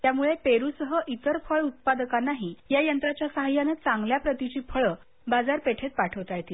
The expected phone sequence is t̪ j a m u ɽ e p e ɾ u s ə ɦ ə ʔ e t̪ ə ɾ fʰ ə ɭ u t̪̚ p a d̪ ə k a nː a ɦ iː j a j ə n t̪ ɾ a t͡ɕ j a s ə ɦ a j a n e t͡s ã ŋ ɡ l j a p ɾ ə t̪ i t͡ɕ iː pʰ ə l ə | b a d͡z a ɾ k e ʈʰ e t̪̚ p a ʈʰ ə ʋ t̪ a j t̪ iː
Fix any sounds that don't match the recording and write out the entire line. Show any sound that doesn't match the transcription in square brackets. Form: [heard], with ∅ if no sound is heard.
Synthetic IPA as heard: t̪ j a m u [ɭ] e p e ɾ u s ə ɦ ə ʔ [i] t̪ ə ɾ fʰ ə ɭ u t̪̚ p a d̪ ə k a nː a ɦ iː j a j ə n t̪ ɾ a t͡ɕ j a s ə ɦ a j a n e t͡s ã ŋ ɡ l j a p ɾ ə t̪ i t͡ɕ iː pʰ ə [ɭ] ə | b a d͡z a ɾ [p] e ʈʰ e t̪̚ p a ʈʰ ə ʋ t̪ a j t̪ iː

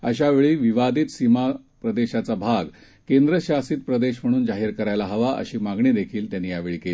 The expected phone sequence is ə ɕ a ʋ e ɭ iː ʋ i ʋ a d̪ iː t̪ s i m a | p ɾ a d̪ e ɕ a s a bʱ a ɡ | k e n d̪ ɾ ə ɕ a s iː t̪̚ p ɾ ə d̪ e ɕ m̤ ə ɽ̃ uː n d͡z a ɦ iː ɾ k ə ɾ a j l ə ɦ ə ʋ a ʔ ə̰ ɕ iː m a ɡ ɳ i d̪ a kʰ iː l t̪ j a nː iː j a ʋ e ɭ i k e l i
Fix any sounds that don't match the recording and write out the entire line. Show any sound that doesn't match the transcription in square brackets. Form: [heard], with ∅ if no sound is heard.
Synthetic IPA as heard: ə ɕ a ʋ e ɭ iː ʋ i ʋ a d̪ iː t̪ s i m a | p ɾ [ə] d̪ e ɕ a [t͡s] a bʱ a ɡ | k e n d̪ ɾ ə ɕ a s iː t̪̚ p ɾ ə d̪ e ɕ m̤ ə ɽ̃ uː n d͡z a ɦ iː ɾ k ə ɾ a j l [a] ɦ ə ʋ a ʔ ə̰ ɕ iː m a ɡ ɳ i d̪ [e] kʰ iː l t̪ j a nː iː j a ʋ e ɭ i k e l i

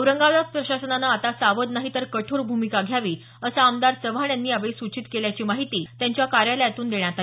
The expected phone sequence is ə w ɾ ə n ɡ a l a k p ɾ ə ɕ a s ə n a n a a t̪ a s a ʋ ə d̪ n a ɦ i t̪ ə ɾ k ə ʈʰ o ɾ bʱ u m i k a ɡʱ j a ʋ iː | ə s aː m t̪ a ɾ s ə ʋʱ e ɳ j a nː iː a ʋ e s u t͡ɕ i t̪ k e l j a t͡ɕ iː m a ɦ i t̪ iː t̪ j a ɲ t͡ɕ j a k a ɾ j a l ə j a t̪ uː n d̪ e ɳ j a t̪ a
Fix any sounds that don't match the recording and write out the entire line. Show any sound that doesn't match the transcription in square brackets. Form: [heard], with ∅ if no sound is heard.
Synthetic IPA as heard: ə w ɾ ə [ŋ] ɡ a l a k p ɾ ə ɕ a s ə n a n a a t̪ a s a ʋ ə d̪ n a ɦ i t̪ ə ɾ k ə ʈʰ o ɾ bʱ u m i k a ɡʱ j a ʋ iː | ə s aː m [d̪] a ɾ s ə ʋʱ [a] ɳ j a nː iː a ʋ e s u t͡ɕ i t̪ k e l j a t͡ɕ iː m a ɦ i t̪ iː t̪ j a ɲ t͡ɕ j a k a ɾ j a l ə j a t̪ uː n d̪ e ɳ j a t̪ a

